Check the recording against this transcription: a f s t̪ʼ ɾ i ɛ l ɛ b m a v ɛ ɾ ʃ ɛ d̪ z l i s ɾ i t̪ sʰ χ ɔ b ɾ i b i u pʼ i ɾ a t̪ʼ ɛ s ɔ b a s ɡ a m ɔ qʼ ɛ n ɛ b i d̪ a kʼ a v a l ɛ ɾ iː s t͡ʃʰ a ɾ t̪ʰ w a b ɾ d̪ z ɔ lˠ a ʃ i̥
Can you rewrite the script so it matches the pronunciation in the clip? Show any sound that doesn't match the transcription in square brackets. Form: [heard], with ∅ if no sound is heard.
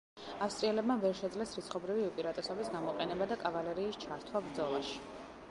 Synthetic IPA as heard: a f s t̪ʼ ɾ i ɛ l ɛ b m a v ɛ ɾ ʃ ɛ d̪ z l [ɛ] s ɾ i t̪ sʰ χ ɔ b ɾ i [v] i u pʼ i ɾ a t̪ʼ ɛ s ɔ b [i] s ɡ a m ɔ qʼ ɛ n ɛ b [a] d̪ a kʼ a v a l ɛ ɾ iː s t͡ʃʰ a ɾ t̪ʰ w a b ɾ d̪ z ɔ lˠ a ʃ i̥

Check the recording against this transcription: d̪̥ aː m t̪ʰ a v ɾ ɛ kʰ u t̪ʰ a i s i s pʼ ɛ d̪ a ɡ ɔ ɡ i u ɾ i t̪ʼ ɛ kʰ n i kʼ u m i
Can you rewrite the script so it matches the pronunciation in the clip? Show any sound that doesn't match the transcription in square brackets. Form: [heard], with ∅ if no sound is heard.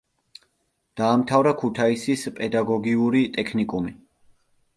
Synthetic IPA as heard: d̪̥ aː m t̪ʰ a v ɾ [a] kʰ u t̪ʰ a i s i s pʼ ɛ d̪ a ɡ ɔ ɡ i u ɾ i t̪ʼ ɛ kʰ n i kʼ u m i

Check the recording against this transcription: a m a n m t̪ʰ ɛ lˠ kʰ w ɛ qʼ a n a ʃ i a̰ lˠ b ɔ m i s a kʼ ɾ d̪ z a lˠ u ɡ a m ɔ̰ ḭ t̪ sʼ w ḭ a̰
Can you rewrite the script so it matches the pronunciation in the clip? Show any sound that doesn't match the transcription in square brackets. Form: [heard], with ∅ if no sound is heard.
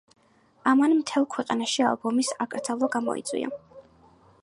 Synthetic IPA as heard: a m a n m t̪ʰ ɛ lˠ kʰ w ɛ qʼ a n a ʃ i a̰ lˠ b ɔ m i s a kʼ ɾ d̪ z a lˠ [ɔ] ɡ a m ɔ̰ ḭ t̪ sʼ w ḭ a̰

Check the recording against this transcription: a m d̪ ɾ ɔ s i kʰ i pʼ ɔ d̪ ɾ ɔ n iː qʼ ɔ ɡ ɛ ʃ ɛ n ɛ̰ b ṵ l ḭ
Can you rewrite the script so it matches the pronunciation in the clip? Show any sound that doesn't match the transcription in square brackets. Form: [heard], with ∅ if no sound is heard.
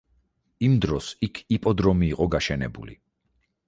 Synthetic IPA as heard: [i] m d̪ ɾ ɔ s i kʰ i pʼ ɔ d̪ ɾ ɔ [m] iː qʼ ɔ ɡ [a] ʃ ɛ n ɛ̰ b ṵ l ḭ

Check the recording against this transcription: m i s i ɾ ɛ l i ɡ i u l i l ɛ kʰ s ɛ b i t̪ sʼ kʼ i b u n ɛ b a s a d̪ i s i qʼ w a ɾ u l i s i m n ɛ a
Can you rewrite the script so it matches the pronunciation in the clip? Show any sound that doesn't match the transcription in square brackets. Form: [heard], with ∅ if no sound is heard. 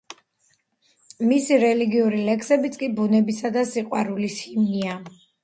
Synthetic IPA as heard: m i s i ɾ ɛ l i ɡ i u [ɾ] i l ɛ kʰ s ɛ b i t̪ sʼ kʼ i b u n ɛ b [i] s a d̪ [a] s i qʼ w a ɾ u l i s i m n [i] a

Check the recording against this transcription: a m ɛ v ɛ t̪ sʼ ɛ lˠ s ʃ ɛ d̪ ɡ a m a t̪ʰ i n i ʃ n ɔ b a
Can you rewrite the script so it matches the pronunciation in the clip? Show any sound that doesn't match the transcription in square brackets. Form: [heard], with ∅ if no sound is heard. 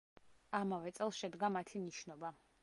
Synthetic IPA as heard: a m [a] v ɛ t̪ sʼ ɛ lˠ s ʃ ɛ d̪ ɡ a m a t̪ʰ i n i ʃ n ɔ b a

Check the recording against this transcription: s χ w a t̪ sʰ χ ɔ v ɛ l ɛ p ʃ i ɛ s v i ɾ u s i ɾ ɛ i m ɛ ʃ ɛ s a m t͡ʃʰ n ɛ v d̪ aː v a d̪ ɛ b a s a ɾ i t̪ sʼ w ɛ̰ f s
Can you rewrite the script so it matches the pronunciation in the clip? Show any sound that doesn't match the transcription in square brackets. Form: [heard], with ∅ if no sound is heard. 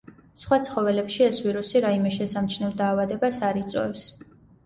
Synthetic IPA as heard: s χ w a t̪ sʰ χ ɔ v ɛ l ɛ p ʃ i ɛ s v i ɾ u s i ɾ [a] i m ɛ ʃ ɛ s a m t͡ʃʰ n ɛ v d̪ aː v a d̪ ɛ b a s a ɾ i t̪ sʼ w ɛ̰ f s

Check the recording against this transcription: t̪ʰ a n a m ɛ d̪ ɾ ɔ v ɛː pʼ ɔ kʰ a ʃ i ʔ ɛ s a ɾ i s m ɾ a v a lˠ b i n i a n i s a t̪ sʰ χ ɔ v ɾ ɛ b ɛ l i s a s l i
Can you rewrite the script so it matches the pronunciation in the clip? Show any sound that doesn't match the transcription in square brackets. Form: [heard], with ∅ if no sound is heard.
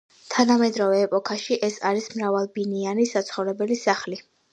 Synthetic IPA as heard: t̪ʰ a n a m ɛ d̪ ɾ ɔ v ɛː pʼ ɔ kʰ a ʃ i ʔ ɛ s a ɾ i s m ɾ a v a lˠ b i n i a n i s a t̪ sʰ χ ɔ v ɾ ɛ b ɛ l i s a [χ] l i

